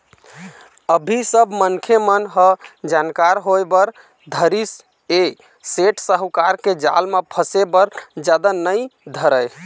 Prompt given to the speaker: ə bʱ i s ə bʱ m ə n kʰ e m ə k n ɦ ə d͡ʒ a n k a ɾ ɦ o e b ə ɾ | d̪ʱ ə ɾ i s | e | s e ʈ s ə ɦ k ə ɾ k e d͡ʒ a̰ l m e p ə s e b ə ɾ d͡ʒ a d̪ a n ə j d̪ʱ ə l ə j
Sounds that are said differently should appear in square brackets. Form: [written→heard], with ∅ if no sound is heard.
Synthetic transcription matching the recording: ə bʱ i s ə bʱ m ə n kʰ e m ə [k→∅] n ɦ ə d͡ʒ a n k a ɾ ɦ o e b ə ɾ | d̪ʱ ə ɾ i s | e | s e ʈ s ə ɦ k [ə→a] ɾ k e d͡ʒ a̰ l m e [p→pʰ] ə s e b ə ɾ d͡ʒ a d̪ a n ə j d̪ʱ ə [l→ɾ] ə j